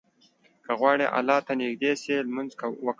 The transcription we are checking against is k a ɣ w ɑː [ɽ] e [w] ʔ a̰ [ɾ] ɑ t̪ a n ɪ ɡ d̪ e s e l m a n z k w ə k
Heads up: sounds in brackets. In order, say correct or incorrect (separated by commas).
correct, incorrect, incorrect